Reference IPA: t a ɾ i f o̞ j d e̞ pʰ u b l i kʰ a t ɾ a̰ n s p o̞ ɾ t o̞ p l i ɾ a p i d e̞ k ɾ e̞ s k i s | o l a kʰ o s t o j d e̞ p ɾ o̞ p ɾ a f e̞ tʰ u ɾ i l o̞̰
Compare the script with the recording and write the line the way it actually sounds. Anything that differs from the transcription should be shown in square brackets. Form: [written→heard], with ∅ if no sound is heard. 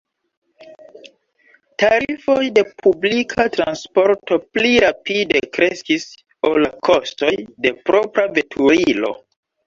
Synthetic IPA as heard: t a ɾ i f o̞ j d e̞ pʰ u b l i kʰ a t ɾ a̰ n s p o̞ ɾ t o̞ p l i ɾ a p i d e̞ k ɾ e̞ s k i s | o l a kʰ o s t o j d e̞ p ɾ o̞ p ɾ a [f→v] e̞ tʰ u ɾ i l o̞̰